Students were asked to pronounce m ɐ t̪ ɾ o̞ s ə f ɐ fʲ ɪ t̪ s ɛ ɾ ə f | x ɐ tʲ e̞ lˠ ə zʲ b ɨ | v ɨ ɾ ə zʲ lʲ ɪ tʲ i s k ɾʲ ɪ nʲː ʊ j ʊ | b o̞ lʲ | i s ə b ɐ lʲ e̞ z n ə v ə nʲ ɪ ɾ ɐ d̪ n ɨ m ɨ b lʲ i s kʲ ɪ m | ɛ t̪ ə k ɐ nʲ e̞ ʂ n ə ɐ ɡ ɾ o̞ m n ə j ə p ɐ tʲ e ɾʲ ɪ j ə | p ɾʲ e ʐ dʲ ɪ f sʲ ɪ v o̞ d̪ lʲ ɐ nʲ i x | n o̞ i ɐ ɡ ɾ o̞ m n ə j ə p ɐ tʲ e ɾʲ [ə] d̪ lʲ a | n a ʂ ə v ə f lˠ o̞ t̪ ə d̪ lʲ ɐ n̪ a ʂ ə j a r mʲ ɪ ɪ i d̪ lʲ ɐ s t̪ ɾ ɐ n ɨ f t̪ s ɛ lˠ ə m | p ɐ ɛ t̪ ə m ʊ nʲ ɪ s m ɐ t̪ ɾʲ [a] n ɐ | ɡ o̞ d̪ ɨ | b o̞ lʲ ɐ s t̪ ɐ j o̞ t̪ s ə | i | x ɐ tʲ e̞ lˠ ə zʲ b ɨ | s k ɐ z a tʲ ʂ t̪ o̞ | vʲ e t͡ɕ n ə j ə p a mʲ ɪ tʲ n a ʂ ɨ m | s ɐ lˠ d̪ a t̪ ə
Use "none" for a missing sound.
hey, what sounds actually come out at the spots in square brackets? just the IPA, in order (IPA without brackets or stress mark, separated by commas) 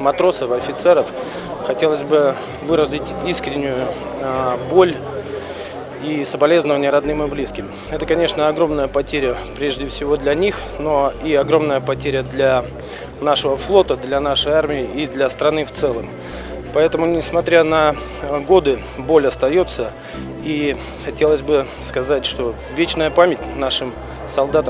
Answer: ə, a